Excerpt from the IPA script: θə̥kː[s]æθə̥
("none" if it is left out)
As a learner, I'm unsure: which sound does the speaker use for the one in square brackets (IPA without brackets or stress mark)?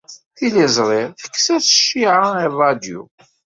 s